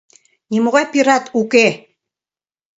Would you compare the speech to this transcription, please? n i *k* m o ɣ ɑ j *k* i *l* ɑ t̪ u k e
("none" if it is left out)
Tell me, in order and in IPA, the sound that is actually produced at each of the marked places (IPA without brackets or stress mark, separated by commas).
none, p, ɾ